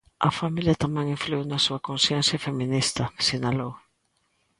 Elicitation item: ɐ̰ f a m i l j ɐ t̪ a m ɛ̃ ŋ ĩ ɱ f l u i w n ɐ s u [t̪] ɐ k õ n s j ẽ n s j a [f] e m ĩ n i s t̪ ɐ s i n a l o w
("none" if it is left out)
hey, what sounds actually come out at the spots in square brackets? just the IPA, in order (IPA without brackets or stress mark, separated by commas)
none, f